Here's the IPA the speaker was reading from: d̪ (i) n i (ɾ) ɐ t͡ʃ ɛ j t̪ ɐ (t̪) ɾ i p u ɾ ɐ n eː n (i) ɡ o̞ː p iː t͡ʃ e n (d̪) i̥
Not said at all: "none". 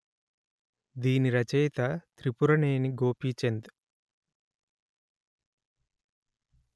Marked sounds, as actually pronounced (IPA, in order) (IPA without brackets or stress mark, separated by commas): iː, ɾ, t̪, i, d̪